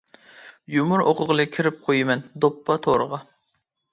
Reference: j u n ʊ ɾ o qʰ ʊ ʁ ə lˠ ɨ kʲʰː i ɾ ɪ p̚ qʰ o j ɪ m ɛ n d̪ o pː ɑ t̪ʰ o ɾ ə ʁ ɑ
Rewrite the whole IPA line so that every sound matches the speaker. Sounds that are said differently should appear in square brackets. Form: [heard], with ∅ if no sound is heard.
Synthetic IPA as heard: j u [m] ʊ ɾ o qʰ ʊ ʁ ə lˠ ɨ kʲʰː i ɾ ɪ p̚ qʰ o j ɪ m ɛ n d̪ o pː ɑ t̪ʰ o ɾ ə ʁ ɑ